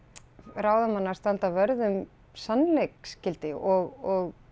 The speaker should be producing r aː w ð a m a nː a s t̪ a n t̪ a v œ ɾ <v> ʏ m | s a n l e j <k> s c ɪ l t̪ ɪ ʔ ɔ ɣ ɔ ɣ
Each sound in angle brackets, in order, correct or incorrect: incorrect, correct

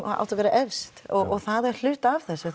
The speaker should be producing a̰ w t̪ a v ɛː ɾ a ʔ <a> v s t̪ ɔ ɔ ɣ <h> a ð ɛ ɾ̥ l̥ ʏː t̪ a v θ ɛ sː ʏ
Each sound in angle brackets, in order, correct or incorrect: incorrect, incorrect

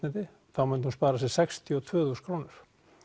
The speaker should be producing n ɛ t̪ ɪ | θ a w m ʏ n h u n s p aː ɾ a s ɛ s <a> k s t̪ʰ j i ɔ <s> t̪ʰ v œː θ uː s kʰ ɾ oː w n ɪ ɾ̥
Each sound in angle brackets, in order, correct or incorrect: incorrect, incorrect

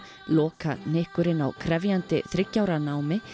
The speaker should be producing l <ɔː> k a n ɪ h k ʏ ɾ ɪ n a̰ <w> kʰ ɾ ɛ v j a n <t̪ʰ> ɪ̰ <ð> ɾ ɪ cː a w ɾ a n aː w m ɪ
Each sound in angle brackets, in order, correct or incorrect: correct, correct, incorrect, incorrect

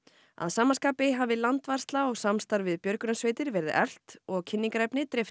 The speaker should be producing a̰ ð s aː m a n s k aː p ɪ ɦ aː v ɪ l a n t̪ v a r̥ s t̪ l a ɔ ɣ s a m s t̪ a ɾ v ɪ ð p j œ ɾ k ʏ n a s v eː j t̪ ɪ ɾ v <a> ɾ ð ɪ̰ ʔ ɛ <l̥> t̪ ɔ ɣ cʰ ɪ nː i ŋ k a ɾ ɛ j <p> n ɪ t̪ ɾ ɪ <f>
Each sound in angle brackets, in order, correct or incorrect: incorrect, correct, correct, correct

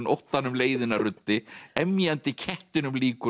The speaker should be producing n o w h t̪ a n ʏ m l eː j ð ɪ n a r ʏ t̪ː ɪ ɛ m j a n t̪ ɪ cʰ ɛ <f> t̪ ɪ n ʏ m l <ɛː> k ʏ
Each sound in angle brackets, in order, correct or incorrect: incorrect, incorrect

